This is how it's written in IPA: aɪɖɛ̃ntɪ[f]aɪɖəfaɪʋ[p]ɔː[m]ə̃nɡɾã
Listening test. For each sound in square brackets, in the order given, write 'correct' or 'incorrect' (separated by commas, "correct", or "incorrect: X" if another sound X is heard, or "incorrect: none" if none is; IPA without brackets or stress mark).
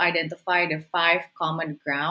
correct, incorrect: k, correct